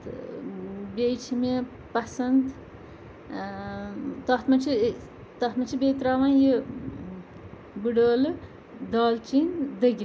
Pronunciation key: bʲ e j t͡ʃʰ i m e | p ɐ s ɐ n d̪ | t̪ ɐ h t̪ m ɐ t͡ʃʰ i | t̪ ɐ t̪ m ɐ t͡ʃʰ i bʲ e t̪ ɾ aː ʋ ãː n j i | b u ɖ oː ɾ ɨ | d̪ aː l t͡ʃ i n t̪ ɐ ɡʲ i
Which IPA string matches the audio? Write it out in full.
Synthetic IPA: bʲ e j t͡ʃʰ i m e | p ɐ s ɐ n d̪ | t̪ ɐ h t̪ m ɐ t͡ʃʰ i | t̪ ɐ t̪ m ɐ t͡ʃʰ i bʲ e t̪ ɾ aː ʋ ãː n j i | b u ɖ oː l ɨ | d̪ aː l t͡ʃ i n d̪ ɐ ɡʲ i